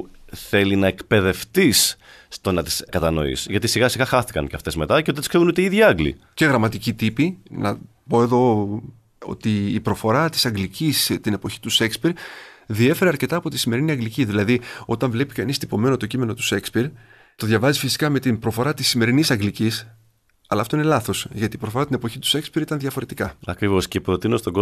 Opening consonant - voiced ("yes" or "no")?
no